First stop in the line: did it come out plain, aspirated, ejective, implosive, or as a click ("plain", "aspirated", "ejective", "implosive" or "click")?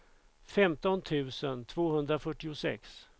plain